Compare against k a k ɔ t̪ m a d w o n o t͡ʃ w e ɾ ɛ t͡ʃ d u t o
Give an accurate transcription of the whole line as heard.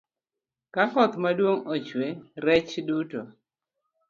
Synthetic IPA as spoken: k a k ɔ t̪ m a d w o ŋ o t͡ʃ w e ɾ ɛ t͡ʃ d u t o